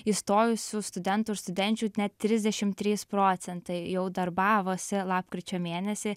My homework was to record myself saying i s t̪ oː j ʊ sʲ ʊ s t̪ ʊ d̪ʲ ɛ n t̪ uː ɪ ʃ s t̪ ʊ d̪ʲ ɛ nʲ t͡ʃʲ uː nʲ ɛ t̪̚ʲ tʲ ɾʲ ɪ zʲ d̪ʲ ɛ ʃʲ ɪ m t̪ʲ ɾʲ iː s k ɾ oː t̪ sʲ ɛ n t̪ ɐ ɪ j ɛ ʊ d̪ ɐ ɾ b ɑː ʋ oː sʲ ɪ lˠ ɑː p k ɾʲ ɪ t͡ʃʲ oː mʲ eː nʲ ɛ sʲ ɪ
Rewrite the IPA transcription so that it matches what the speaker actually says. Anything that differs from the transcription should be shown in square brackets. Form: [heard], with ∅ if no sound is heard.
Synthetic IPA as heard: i s t̪ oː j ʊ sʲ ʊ s t̪ ʊ d̪ʲ ɛ n t̪ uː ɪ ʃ s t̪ ʊ d̪ʲ ɛ nʲ t͡ʃʲ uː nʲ ɛ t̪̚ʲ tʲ ɾʲ ɪ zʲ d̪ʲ ɛ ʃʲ ɪ m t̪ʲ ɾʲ iː s [p] ɾ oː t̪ sʲ ɛ n t̪ ɐ ɪ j ɛ ʊ d̪ ɐ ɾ b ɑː ʋ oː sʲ ɪ lˠ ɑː p k ɾʲ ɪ t͡ʃʲ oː mʲ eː nʲ ɛ sʲ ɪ